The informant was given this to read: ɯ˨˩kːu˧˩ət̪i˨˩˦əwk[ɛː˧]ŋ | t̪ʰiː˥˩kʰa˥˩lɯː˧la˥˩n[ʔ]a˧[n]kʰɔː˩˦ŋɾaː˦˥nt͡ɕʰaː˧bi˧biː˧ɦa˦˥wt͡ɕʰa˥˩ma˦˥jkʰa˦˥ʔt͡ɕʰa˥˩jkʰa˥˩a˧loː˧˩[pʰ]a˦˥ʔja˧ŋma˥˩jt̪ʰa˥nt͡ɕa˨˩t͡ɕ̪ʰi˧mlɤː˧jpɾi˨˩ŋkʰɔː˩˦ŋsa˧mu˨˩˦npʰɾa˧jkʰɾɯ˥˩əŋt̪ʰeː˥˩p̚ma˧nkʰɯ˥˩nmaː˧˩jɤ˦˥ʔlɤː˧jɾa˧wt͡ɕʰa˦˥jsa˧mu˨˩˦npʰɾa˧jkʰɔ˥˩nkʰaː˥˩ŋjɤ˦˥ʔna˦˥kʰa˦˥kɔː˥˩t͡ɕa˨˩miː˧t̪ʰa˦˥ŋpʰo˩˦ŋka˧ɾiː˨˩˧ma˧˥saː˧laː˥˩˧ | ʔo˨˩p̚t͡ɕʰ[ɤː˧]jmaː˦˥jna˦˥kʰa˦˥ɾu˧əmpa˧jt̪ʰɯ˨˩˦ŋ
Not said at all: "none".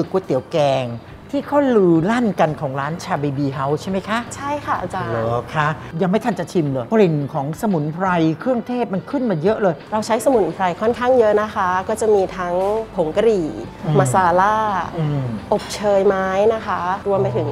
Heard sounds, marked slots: ɛː˧, k, n, kʰ, ɤː˧

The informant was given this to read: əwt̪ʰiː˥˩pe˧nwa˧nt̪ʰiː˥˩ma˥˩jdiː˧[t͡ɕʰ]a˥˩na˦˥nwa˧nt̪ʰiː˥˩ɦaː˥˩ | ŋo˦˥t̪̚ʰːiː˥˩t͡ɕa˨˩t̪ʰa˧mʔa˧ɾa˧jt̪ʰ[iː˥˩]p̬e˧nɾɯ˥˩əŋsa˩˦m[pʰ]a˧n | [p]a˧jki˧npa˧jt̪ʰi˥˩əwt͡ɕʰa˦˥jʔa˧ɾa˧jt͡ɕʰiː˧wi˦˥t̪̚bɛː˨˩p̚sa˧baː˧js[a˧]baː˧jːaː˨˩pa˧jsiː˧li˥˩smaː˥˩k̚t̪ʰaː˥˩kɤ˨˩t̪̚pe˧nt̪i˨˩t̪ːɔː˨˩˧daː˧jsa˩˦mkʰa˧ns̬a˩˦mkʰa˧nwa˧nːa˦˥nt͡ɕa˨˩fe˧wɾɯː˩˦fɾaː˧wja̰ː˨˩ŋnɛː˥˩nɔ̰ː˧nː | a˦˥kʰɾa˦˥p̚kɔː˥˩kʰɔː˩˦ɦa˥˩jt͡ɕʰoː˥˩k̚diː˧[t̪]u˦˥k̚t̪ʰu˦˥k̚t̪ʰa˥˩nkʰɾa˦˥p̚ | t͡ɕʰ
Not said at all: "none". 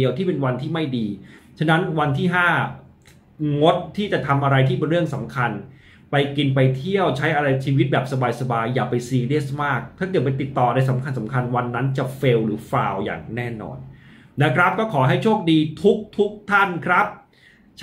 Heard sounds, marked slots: t͡ɕʰ, iː˥˩, kʰ, p, a˧, t̪ʰ

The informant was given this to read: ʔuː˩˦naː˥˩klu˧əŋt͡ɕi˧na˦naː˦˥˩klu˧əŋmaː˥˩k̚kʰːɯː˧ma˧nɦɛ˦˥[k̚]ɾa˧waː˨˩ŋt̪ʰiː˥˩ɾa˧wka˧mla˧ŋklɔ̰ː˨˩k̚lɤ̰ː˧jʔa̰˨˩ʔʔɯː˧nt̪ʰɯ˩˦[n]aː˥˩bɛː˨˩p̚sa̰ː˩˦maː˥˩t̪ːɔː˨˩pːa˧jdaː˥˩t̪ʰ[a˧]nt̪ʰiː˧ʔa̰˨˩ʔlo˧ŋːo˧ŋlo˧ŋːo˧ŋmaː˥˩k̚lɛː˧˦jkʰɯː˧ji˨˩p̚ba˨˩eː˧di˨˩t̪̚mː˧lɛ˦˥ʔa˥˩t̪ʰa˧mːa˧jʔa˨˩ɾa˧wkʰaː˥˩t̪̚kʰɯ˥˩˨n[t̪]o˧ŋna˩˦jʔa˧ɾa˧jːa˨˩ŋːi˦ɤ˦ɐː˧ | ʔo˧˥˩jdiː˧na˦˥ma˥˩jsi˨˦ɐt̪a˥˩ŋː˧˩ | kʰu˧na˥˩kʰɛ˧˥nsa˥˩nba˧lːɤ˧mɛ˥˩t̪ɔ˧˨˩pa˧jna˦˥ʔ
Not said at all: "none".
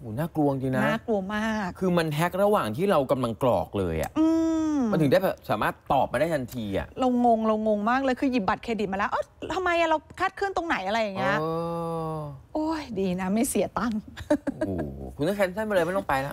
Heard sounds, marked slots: k̚, d, a˧, t̪

